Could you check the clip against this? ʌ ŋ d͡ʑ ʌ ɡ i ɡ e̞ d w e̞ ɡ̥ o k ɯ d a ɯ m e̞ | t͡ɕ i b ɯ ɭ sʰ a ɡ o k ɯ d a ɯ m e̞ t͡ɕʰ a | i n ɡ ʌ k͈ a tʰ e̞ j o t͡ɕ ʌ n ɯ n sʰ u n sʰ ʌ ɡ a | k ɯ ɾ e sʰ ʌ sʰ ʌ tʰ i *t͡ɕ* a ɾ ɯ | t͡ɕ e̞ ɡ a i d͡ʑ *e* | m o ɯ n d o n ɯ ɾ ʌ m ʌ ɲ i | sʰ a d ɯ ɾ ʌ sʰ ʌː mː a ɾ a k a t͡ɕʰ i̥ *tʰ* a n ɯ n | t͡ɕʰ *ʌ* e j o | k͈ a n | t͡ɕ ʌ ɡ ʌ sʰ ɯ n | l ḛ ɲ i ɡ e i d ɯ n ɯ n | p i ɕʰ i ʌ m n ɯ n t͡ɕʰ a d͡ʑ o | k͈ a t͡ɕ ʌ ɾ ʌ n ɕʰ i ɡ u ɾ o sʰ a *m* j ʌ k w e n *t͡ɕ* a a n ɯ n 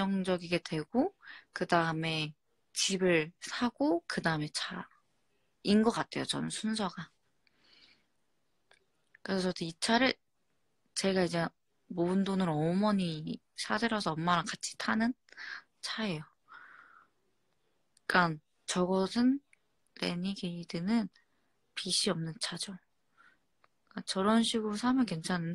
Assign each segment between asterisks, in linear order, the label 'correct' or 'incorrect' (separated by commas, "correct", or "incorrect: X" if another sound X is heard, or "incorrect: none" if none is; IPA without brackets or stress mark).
incorrect: t͡ɕʰ, correct, correct, incorrect: a, correct, incorrect: t͡ɕʰ